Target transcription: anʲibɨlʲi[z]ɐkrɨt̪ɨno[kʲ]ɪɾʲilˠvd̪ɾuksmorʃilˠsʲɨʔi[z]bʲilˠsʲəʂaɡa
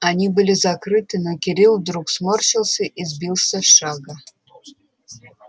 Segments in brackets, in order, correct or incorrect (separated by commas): correct, correct, correct